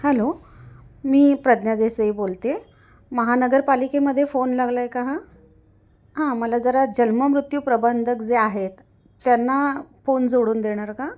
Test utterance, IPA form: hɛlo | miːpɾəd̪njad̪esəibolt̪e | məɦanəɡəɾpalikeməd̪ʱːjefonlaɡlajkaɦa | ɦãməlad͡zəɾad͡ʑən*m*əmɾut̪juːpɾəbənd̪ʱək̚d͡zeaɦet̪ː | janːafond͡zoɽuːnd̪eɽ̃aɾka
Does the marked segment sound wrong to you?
no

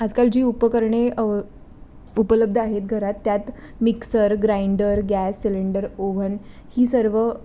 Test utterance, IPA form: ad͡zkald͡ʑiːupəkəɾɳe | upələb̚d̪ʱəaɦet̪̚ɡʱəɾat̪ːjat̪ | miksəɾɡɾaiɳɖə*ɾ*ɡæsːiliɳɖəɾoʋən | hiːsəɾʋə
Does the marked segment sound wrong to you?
no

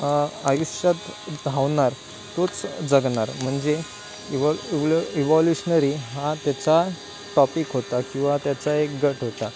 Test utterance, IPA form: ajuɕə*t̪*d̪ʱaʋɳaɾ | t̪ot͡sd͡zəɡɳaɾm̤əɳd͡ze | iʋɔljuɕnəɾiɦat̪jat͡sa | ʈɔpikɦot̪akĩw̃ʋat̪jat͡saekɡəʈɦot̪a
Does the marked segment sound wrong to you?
no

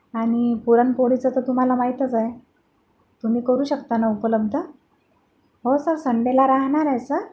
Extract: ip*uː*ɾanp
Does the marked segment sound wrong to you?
yes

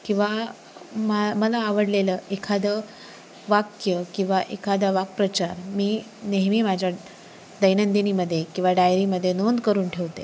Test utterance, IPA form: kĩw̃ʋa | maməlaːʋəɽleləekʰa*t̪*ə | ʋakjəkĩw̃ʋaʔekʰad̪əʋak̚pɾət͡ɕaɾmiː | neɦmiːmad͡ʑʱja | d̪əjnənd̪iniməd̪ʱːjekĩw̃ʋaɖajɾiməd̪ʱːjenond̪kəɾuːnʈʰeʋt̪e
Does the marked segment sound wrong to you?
yes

